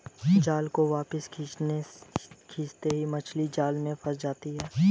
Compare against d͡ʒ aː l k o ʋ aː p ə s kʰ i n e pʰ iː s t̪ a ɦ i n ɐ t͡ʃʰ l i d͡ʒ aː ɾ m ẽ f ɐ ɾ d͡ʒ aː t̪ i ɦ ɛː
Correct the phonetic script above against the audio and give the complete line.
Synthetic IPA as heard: d͡ʒ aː l k o ʋ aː p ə s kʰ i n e kʰ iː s t̪ e ɦ i m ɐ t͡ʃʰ l i d͡ʒ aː l m ẽ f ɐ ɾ d͡ʒ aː t̪ i ɦ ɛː